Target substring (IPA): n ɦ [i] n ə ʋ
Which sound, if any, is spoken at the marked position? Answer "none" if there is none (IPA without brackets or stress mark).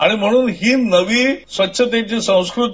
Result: iː